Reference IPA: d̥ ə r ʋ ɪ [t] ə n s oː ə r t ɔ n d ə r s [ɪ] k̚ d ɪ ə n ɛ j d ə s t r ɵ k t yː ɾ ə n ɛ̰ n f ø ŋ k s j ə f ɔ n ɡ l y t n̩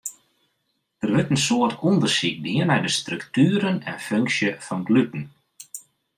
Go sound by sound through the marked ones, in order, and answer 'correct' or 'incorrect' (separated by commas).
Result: correct, incorrect